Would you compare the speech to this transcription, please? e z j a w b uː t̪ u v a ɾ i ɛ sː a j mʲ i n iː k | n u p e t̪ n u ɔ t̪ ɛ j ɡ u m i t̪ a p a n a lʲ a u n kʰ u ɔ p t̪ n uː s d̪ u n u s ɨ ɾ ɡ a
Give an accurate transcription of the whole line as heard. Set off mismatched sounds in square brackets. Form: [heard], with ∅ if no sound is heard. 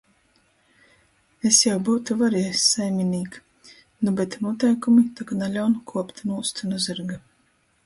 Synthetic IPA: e [s] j a w b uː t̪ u v a ɾ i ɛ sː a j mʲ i n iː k | n u [b] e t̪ n u ɔ t̪ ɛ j [k] u m i t̪ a [k] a n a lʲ a [w] n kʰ u ɔ p t̪ n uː s [t̪] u n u [z] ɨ ɾ ɡ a

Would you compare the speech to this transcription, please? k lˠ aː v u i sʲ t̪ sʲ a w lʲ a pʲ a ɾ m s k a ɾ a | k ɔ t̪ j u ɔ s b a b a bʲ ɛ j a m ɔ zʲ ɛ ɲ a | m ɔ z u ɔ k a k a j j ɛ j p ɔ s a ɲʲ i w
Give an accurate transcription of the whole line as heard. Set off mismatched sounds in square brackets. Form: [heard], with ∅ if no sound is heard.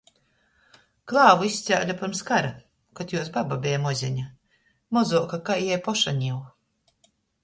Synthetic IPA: k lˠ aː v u i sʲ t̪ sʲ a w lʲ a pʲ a ɾ m s k a ɾ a | k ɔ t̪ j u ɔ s b a b a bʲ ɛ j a m ɔ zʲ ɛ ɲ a | m ɔ z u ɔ k a k a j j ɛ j p ɔ [ʃ] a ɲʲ i w

